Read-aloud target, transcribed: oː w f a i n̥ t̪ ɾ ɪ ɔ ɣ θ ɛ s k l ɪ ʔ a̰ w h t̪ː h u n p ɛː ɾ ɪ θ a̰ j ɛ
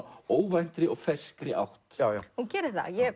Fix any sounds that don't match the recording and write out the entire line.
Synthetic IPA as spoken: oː w v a j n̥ t̪ ɾ ɪ ɔ ɣ f ɛ s k ɾ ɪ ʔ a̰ w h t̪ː h u n c ɛː ɾ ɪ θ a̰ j ɛ

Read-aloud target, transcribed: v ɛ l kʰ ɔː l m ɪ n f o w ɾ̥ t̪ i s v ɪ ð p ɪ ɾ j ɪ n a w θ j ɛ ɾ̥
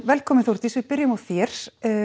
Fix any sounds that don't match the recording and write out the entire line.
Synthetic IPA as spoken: v ɛ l kʰ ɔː m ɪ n θ o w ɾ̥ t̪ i s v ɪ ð p ɪ ɾ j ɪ m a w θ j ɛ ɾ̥

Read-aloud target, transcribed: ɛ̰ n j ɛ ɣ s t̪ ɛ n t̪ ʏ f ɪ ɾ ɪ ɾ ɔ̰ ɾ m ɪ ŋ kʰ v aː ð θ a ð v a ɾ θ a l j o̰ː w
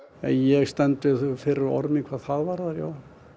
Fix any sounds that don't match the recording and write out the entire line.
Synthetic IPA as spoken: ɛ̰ n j ɛ ɣ s t̪ ɛ n t̪ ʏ f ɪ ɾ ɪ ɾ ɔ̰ ɾ m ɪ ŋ kʰ v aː ð θ a ð v a ɾ ð a ɾ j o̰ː w

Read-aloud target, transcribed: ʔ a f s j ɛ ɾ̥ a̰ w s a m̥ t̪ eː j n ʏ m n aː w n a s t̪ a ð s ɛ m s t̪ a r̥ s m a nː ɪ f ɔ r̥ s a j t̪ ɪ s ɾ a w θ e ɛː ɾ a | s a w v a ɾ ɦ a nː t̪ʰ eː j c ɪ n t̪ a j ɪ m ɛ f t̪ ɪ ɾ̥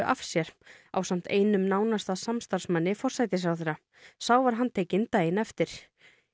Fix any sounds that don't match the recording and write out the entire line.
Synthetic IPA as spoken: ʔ a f s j ɛ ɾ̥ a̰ w s a m̥ t̪ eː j n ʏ m n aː w n a s t̪ a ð s a m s t̪ a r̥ s m a nː ɪ f ɔ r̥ s a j t̪ ɪ s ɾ a w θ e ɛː ɾ a | s a w v a ɾ ɦ a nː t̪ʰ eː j c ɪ n t̪ a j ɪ n ɛ f t̪ ɪ ɾ̥

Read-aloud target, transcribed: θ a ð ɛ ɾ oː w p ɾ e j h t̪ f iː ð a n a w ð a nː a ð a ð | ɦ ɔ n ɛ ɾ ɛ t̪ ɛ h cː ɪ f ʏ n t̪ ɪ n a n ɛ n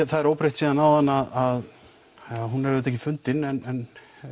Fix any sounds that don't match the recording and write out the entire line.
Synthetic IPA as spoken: θ a ð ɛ ɾ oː w p ɾ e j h t̪ s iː ð a n a w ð a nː a ð a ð | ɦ u n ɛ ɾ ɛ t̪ ɛ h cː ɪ f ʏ n t̪ ɪ n ɛ n ɛ n

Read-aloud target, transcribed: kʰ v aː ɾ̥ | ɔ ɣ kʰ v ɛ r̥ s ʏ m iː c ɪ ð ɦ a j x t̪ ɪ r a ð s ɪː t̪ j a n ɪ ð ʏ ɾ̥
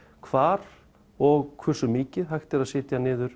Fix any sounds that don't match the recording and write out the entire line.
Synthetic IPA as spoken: kʰ v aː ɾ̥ | ɔ ɣ kʰ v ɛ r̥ s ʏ m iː c ɪ ð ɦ a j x t̪ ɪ ɾ a ð s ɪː t̪ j a n ɪː ð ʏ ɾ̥

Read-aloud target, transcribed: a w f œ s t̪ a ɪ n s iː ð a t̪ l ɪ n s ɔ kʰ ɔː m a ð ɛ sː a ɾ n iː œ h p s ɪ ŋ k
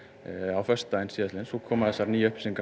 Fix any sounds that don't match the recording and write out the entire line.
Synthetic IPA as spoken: a w f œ s t̪ a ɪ n s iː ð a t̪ l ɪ n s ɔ kʰ ɔː m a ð ɛ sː a ɾ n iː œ h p s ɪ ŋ k

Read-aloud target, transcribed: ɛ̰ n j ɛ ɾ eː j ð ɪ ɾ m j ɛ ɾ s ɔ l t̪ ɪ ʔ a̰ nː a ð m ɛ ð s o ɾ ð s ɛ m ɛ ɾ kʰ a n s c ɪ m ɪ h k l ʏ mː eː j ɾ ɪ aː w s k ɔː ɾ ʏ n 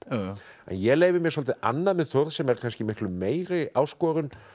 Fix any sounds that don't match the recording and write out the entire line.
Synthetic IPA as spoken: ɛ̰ n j ɛ l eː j v ɪ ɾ m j ɛ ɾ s ɔ l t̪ ɪ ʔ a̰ nː a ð m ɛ ð θ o ɾ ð s ɛ m ɛ ɾ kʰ a n s c ɪ m ɪ h k l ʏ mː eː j ɾ ɪ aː w s k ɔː ɾ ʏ n

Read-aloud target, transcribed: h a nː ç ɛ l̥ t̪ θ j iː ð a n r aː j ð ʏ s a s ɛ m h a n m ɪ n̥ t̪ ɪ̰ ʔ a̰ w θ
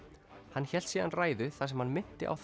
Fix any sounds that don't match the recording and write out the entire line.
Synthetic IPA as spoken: h a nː ç ɛ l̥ t̪ s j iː ð a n r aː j ð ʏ θ a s ɛ m h a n m ɪ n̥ t̪ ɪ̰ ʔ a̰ w θ

